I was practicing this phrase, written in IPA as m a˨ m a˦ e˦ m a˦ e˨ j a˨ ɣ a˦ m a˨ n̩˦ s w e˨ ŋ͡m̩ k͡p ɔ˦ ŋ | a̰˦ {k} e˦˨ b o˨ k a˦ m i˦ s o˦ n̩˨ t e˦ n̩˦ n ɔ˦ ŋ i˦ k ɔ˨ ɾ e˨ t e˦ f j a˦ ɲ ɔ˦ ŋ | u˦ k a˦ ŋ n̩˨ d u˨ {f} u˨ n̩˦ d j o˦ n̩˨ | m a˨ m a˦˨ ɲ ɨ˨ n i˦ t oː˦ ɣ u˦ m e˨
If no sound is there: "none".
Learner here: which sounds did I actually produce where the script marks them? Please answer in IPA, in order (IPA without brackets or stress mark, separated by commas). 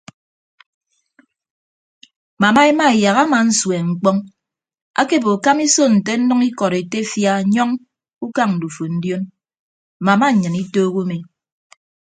k, f